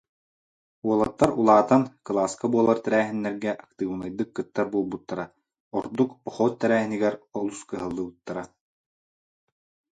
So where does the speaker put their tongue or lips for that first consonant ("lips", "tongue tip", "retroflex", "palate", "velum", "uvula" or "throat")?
tongue tip